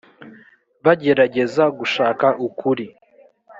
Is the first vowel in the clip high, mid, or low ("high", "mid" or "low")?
low